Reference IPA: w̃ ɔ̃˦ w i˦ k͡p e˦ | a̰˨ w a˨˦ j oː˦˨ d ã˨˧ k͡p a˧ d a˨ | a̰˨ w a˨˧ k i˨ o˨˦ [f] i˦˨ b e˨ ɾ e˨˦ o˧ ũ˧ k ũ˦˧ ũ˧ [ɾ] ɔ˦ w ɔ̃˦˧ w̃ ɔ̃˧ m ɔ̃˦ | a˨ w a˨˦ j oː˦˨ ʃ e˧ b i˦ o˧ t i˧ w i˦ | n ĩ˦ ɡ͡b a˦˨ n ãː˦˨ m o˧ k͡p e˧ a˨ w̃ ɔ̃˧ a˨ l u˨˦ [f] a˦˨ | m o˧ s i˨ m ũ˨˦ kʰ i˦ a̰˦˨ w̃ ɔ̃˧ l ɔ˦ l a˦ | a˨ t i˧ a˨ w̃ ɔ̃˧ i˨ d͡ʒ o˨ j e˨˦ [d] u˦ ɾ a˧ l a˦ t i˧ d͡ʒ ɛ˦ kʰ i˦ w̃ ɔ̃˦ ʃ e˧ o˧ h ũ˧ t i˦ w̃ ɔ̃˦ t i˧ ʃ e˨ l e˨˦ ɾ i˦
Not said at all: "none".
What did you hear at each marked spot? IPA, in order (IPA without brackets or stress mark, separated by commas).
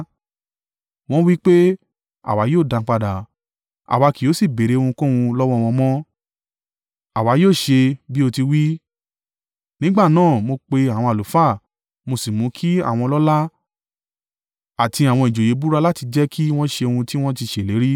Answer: s, l, f, b